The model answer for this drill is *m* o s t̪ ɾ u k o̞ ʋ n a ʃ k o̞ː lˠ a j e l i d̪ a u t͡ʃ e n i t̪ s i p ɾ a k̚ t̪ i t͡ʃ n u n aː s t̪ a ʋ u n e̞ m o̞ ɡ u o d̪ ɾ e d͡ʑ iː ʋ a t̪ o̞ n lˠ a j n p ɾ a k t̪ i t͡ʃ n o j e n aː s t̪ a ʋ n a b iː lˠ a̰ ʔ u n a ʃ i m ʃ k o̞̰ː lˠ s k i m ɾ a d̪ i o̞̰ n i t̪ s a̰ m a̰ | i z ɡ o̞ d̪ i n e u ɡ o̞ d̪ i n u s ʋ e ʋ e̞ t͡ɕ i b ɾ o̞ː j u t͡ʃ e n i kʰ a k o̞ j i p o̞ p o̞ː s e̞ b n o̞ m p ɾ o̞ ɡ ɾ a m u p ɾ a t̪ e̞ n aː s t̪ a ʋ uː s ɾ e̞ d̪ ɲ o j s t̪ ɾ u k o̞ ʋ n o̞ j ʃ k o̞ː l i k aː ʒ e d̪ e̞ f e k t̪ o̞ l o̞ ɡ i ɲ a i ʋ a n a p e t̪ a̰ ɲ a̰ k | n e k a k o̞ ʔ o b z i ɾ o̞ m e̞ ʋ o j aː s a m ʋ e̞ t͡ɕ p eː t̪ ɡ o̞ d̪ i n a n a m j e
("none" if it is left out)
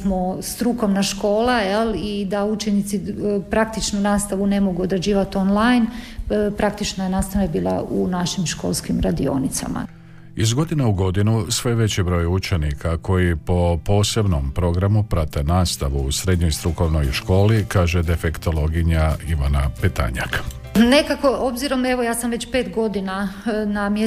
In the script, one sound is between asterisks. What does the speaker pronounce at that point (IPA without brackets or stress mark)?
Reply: m